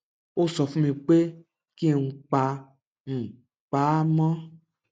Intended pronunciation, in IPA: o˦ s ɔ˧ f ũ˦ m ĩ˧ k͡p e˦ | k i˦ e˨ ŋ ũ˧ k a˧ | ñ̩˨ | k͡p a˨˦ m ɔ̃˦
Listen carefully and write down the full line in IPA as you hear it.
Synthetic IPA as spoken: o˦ s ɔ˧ f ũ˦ m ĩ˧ k͡p e˦ | k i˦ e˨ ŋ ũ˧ k͡p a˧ | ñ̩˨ | k͡p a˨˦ m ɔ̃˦